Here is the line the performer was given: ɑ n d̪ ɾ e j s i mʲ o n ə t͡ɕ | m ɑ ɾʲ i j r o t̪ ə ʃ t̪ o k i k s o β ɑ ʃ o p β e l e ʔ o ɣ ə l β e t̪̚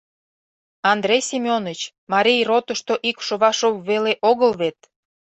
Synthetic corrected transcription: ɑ n d̪ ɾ e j s i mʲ o n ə t͡ɕ | m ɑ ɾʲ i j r o t̪ ə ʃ t̪ o ʔ i k ʃ o β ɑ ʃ o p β e l e ʔ o ɣ ə l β e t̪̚